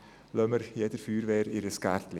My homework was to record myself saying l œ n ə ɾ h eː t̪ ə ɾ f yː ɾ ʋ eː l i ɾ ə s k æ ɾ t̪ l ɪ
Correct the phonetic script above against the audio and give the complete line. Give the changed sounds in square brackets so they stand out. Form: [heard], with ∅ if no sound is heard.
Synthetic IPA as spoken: l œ [m] ə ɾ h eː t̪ ə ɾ f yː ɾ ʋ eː [ɾ] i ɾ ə s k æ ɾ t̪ l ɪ